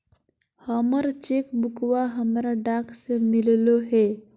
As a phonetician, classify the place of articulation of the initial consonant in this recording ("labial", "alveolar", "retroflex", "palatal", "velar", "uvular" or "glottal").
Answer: glottal